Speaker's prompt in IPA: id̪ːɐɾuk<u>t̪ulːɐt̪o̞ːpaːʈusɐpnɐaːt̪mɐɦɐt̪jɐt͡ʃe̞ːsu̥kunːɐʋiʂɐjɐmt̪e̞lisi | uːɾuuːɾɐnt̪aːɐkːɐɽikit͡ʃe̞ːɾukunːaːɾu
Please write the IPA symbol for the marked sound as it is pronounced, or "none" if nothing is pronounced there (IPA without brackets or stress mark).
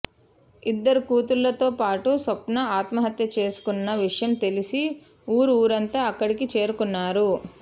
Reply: uː